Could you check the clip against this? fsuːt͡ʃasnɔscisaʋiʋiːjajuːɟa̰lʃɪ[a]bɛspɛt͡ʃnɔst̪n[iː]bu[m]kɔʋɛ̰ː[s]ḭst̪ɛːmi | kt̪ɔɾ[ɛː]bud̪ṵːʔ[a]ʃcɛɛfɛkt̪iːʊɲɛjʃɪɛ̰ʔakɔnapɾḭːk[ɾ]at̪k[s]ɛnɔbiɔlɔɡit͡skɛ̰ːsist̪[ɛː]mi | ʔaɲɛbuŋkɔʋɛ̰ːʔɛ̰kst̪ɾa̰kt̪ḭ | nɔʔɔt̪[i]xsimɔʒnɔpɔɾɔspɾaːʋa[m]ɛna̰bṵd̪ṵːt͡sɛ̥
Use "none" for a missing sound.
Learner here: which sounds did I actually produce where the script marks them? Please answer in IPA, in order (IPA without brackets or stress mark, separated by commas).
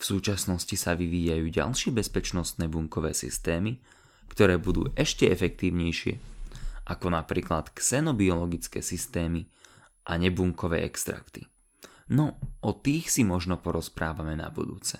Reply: ɛ, ɛː, ŋ, s, ɛː, ɛ, l, s, ɛː, iː, m